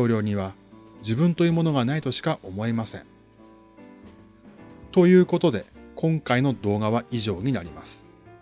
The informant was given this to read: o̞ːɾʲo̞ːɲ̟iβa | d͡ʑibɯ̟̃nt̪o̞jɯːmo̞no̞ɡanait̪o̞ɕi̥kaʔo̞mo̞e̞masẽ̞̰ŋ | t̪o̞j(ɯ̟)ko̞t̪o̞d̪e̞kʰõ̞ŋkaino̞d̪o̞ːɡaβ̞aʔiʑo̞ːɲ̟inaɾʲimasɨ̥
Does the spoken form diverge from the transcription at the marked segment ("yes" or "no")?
yes